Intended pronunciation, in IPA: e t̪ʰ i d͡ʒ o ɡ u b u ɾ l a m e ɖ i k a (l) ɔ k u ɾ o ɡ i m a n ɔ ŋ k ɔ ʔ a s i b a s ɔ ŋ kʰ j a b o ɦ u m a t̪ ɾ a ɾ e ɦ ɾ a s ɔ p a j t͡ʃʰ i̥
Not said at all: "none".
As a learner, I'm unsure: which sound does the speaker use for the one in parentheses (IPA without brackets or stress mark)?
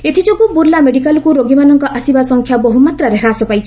l